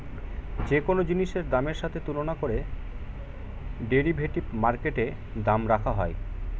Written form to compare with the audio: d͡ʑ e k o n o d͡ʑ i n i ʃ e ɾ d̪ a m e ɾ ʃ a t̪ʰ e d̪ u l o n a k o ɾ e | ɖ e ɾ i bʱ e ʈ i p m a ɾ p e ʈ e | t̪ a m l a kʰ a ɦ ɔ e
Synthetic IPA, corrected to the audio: d͡ʑ e k o n o d͡ʑ i n i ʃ e ɾ d̪ a m e ɾ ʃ a t̪ʰ e t̪ u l o n a k o ɾ e | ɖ e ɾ i bʱ e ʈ i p m a ɾ k e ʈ e | d̪ a m ɾ a kʰ a ɦ ɔ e